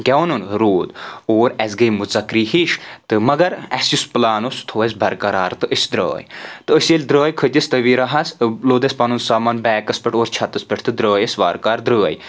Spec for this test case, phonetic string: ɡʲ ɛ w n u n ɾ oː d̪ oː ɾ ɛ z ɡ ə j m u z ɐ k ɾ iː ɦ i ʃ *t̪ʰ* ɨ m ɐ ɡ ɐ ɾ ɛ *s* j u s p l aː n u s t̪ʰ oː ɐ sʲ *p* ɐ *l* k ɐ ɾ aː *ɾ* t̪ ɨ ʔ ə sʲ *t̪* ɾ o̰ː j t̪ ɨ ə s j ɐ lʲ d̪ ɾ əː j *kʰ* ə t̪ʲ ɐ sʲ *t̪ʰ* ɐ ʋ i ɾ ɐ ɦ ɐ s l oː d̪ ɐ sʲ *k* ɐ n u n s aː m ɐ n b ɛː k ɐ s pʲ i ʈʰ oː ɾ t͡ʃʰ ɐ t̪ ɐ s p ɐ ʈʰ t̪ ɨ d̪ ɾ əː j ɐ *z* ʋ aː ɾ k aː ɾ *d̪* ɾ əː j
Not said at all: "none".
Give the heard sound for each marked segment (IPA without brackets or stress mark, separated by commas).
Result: t̪, s, b, ɾ, ɾ, d̪, kʰ, t̪, p, s, d̪